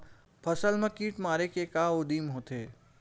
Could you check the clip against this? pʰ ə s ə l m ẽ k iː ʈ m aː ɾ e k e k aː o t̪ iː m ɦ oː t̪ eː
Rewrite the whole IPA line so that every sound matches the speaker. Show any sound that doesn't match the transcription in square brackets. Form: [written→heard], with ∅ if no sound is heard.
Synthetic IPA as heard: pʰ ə s ə l m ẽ k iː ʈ m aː ɾ e k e k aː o [t̪→d̪] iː m ɦ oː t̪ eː